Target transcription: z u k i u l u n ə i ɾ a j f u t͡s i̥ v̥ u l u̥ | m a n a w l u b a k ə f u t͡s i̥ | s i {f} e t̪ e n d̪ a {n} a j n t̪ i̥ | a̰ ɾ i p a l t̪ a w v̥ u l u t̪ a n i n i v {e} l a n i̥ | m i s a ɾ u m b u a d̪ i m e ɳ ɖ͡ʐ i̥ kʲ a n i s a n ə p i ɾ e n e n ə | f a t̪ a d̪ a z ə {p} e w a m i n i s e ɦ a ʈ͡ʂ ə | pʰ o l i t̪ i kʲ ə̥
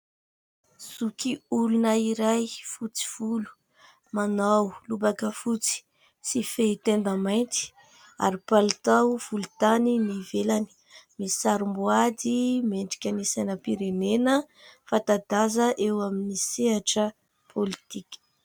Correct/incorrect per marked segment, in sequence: correct, incorrect: m, correct, incorrect: ʔ

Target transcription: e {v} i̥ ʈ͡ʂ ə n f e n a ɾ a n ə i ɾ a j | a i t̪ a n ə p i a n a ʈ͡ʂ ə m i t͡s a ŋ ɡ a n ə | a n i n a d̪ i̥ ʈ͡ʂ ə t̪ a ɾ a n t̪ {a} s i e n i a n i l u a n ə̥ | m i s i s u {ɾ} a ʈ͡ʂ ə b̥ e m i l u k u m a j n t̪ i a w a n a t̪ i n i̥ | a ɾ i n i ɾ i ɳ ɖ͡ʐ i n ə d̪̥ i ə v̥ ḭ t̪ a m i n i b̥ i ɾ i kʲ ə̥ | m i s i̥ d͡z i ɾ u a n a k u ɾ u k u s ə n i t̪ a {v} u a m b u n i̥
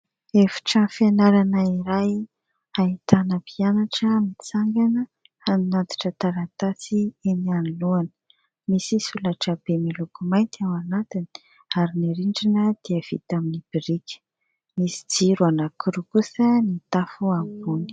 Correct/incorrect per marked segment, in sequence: incorrect: f, correct, incorrect: l, incorrect: f

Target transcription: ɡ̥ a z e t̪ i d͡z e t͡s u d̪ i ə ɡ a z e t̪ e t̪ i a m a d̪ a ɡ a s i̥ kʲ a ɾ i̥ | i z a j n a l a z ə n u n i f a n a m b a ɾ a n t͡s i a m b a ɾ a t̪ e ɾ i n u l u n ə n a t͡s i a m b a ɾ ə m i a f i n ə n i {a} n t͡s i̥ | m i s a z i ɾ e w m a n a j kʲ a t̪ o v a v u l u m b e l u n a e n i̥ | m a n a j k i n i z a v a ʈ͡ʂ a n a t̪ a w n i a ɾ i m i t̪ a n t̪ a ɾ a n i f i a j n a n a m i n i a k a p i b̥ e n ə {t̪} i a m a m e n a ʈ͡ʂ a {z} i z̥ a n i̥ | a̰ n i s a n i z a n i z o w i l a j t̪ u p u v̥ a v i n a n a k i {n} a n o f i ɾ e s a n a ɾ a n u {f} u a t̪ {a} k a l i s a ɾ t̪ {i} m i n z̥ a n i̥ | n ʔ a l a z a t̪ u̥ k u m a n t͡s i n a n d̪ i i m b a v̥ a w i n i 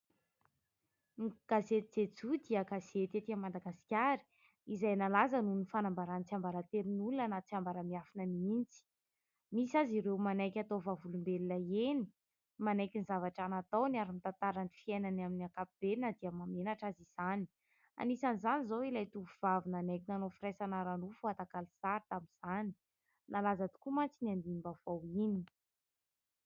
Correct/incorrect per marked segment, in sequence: incorrect: i, incorrect: d̪, correct, correct, correct, correct, incorrect: a

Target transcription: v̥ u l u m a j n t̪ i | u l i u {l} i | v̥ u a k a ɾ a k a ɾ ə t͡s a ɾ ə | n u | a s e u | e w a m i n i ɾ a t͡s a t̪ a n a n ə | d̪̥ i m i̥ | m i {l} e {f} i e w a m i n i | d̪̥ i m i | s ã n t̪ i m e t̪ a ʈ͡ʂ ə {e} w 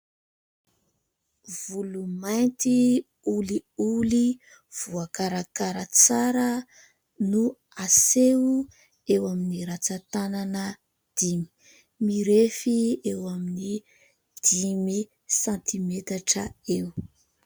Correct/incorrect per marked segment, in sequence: correct, incorrect: ɾ, correct, correct

